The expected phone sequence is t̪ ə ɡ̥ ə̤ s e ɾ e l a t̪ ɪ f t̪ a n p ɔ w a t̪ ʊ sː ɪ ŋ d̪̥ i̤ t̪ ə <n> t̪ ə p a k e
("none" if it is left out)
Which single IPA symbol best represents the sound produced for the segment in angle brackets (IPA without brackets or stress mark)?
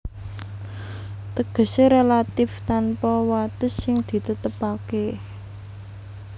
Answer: none